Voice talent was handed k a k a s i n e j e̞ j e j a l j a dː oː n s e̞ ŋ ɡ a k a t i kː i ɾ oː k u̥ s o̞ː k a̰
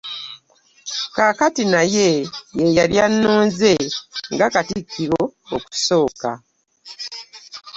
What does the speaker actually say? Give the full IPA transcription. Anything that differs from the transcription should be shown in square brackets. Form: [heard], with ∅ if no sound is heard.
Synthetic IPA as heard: k a k a [t] i n [a] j e̞ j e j a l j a [nː] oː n [z] e̞ ŋ ɡ a k a t i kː i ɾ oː k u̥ s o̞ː k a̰